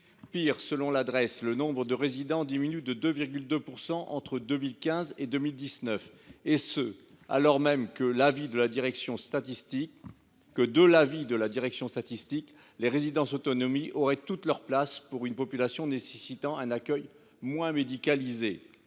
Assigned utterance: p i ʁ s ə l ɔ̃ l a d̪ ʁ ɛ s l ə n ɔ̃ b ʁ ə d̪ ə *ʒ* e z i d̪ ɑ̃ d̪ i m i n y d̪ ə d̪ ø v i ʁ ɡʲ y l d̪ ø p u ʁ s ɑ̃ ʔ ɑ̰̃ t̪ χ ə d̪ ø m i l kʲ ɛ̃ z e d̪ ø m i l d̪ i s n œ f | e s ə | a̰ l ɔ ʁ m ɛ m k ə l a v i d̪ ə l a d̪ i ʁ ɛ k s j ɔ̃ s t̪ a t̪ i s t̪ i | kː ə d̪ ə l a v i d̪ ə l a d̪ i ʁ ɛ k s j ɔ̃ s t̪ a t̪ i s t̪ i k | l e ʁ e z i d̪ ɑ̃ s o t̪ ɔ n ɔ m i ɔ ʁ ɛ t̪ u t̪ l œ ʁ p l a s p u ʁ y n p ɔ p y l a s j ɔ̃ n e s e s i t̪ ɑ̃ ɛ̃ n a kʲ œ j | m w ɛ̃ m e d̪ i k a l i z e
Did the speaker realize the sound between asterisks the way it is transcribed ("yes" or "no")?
no